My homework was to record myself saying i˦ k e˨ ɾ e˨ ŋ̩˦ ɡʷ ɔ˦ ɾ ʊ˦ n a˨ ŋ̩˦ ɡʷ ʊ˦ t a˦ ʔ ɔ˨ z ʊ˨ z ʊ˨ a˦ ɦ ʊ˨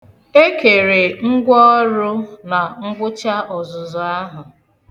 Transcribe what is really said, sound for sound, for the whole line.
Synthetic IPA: e˦ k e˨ ɾ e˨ ŋ̩˦ ɡʷ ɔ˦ ɾ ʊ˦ n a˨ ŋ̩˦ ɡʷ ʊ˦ t͡ʃ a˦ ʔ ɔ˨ z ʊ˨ z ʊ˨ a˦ ɦ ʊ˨